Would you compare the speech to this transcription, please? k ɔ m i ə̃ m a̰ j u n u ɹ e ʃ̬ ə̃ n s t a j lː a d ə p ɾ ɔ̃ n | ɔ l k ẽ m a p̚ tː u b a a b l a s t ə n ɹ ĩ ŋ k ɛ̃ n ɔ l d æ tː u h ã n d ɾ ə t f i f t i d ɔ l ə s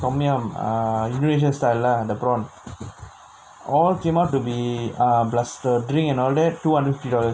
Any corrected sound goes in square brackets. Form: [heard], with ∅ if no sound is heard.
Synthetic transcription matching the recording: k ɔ m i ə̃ m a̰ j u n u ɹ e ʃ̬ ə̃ n s t a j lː a d ə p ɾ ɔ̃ n | ɔ l k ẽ m a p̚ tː u b [i] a b l a s t ə [d] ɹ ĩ ŋ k ɛ̃ n ɔ l d [ɛ] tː u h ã n d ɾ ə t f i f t i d ɔ l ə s